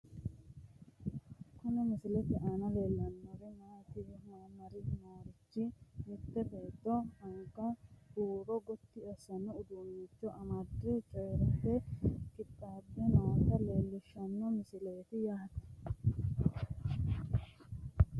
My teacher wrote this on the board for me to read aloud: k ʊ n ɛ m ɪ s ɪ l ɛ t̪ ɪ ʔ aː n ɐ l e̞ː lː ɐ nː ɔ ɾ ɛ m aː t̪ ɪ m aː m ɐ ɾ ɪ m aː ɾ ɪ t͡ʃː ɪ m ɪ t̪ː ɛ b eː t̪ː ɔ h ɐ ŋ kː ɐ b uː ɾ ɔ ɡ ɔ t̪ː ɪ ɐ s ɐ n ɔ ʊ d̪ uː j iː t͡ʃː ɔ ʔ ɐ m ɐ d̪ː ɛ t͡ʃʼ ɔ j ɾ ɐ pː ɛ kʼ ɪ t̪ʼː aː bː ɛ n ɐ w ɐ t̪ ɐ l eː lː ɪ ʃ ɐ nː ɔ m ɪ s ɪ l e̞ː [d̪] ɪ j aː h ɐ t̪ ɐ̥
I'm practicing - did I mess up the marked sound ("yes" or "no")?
yes